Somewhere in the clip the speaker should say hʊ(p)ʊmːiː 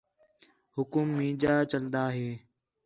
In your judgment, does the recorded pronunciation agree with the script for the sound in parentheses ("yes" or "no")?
no